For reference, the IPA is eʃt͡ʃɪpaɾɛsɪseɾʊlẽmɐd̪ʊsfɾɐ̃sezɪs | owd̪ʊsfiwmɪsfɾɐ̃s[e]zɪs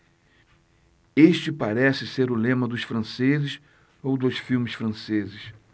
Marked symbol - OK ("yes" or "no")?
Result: yes